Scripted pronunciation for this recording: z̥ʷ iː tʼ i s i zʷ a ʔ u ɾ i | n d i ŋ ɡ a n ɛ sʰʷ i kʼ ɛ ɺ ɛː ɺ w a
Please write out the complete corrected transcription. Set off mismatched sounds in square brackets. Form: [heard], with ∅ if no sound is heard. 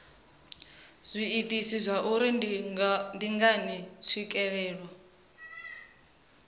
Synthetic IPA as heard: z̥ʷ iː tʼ i s i zʷ a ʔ u ɾ i | n d i ŋ ɡ a n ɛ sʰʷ i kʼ ɛ ɺ ɛː ɺ w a